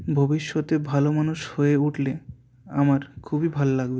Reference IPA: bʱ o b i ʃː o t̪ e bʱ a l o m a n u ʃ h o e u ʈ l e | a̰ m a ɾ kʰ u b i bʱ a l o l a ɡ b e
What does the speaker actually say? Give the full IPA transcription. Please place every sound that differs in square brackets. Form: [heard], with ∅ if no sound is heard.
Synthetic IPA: bʱ o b i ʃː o t̪ e bʱ a l o m a n u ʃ h o e u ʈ l e | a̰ m a ɾ kʰ u b i bʱ a l o l a ɡ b e